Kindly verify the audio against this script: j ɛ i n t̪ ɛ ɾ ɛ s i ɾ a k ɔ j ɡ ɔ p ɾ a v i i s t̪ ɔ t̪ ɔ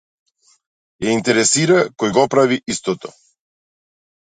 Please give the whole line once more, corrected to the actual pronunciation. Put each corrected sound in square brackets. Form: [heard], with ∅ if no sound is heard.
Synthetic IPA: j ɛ i n t̪ ɛ ɾ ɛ s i ɾ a k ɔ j ɡ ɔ p ɾ a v i i s t̪ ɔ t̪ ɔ